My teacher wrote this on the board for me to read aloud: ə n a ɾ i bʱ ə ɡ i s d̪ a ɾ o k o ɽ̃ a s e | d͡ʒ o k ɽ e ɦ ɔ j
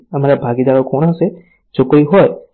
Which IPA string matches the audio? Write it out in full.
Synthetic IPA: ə m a ɾ a bʱ a ɡ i d̪ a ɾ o k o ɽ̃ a s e | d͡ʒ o k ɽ i ɦ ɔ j